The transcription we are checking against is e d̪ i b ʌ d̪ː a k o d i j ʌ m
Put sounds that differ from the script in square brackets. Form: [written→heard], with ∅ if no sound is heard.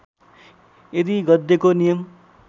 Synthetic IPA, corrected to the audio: e d̪ i [b→ɡ] ʌ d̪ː [a→e] k o [d→n] i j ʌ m